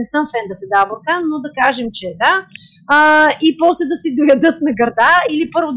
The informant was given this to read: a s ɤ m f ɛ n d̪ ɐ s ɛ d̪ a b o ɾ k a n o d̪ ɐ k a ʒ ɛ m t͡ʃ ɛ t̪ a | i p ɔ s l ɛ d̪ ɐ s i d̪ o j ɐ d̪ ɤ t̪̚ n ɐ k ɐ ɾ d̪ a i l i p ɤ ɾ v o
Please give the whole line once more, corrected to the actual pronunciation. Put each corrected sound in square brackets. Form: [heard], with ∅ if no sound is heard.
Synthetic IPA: [ɛ] s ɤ m f ɛ n d̪ ɐ s ɛ d̪ a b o ɾ k a n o d̪ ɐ k a ʒ ɛ m t͡ʃ ɛ [d̪] a | i p ɔ s l ɛ d̪ ɐ s i d̪ o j ɐ d̪ ɤ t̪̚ n ɐ [ɡ] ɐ ɾ d̪ a i l i p ɤ ɾ v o